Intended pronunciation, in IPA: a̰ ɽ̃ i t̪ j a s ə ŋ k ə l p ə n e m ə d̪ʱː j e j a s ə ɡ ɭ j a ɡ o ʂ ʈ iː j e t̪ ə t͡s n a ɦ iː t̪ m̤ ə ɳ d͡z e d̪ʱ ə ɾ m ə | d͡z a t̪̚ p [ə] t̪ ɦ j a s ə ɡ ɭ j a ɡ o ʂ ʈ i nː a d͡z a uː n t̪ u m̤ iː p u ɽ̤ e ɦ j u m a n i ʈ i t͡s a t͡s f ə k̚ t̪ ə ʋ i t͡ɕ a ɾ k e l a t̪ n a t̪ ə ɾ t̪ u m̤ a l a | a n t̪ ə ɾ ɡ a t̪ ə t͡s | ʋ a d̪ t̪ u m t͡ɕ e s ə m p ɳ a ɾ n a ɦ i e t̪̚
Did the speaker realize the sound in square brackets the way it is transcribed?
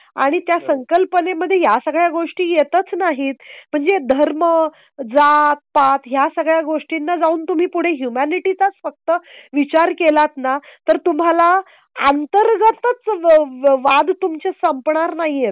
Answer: no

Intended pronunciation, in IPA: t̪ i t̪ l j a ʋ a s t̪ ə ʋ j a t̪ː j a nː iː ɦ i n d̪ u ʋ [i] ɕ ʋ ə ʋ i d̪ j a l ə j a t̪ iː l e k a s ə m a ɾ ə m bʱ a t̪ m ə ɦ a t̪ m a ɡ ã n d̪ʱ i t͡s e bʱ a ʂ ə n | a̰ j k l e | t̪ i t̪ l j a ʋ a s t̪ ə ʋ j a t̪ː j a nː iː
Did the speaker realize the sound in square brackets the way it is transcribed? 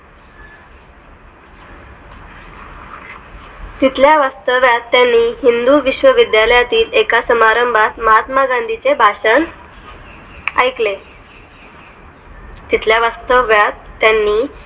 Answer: yes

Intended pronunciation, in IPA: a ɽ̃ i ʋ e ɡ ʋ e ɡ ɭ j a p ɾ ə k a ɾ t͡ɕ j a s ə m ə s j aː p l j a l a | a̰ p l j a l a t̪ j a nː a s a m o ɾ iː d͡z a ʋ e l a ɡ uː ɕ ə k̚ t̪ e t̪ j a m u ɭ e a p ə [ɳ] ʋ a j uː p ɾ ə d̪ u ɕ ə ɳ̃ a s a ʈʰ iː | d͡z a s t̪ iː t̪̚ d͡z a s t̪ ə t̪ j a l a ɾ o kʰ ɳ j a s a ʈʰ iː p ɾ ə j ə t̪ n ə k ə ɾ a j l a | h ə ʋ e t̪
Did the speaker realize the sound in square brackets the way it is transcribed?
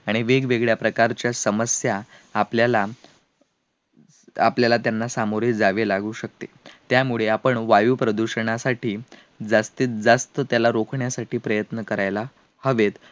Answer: yes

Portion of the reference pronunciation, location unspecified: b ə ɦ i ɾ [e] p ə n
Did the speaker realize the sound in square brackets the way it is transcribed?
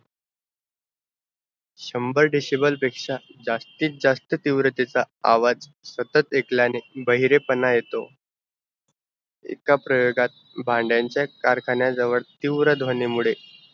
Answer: yes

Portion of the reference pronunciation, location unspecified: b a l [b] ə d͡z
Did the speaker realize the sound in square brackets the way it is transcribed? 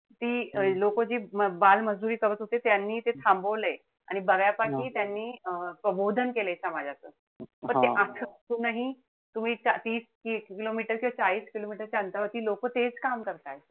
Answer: no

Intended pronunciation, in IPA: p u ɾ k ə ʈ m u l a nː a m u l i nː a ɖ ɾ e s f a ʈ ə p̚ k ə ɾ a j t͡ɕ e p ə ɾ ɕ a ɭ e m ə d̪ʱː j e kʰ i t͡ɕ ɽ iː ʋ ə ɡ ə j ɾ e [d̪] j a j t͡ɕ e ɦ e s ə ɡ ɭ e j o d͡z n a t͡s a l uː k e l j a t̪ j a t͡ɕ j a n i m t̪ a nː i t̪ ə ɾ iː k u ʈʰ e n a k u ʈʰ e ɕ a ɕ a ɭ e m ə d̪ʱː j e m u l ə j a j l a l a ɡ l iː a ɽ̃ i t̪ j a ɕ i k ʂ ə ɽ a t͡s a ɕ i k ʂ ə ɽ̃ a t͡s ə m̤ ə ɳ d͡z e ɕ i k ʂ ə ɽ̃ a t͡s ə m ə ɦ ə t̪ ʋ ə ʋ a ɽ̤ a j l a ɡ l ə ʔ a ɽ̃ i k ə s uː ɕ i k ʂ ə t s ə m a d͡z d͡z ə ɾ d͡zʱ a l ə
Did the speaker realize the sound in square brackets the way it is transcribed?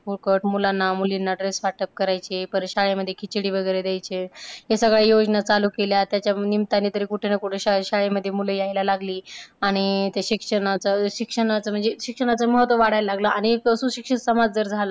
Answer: yes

